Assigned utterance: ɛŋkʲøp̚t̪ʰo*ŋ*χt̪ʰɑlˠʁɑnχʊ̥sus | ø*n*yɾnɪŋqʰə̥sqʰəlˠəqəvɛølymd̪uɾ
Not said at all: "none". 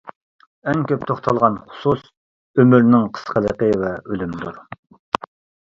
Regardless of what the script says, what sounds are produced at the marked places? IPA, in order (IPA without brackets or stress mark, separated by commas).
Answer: none, m